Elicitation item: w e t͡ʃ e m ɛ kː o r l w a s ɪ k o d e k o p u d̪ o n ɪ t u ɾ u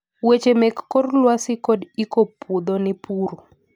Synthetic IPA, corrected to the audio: w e t͡ʃ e m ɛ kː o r l w a s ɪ k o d i k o p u d̪ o n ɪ p u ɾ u